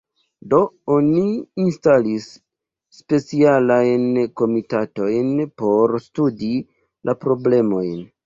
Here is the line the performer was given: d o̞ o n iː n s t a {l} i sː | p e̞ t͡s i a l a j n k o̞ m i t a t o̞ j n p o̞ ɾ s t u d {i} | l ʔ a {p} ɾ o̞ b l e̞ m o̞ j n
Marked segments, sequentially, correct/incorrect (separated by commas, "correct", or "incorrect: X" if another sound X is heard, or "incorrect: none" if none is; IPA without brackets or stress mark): correct, correct, correct